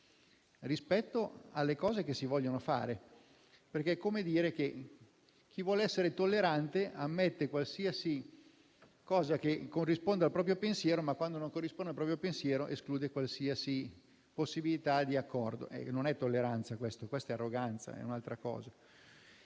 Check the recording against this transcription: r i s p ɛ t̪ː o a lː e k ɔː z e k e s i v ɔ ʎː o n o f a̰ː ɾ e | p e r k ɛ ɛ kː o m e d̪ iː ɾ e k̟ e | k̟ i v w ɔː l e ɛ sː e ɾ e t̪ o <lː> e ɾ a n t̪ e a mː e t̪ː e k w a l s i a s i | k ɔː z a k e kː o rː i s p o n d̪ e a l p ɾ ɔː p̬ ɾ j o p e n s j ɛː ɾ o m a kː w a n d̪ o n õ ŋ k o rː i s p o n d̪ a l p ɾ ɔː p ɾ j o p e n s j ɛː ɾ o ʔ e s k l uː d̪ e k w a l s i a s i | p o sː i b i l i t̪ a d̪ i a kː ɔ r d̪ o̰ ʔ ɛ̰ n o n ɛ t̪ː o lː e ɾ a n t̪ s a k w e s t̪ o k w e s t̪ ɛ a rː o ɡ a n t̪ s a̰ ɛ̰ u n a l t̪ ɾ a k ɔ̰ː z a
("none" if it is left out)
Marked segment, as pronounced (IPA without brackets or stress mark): lː